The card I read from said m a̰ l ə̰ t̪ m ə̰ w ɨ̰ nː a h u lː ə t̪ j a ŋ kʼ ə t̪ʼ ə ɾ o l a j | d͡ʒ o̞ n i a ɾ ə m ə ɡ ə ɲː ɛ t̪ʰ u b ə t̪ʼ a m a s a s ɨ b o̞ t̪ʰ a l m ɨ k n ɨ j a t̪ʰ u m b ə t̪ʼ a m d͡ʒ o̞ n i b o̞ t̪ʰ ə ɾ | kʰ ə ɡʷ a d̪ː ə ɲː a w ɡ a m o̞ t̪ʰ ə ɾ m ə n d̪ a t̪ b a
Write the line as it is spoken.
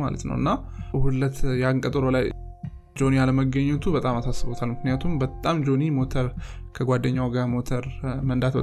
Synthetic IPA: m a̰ l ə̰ t̪ n ə̰ w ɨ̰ nː a h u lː ə t̪ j a ŋ kʼ ə t̪ʼ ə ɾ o l a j | d͡ʒ o̞ n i a l ə m ə ɡ ə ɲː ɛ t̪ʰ u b ə t̪ʼ a m a s a s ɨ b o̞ t̪ʰ a l m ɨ k n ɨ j a t̪ʰ u m b ə t̪ʼ a m d͡ʒ o̞ n i m o̞ t̪ʰ ə ɾ | kʰ ə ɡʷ a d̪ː ə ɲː a w ɡ a m o̞ t̪ʰ ə ɾ m ə n d̪ a t̪ b ə